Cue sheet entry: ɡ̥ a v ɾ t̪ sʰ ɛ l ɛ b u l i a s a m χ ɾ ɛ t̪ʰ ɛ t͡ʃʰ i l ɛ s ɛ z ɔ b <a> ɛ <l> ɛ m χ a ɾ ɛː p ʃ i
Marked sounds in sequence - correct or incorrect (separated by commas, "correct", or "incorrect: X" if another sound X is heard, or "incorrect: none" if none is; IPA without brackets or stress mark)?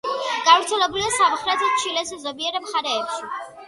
incorrect: i, incorrect: ɾ